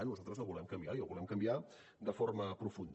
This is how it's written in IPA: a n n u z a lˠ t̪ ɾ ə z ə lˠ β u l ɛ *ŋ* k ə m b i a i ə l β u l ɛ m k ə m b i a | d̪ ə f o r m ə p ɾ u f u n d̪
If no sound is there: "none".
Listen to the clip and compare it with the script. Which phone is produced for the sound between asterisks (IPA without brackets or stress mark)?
m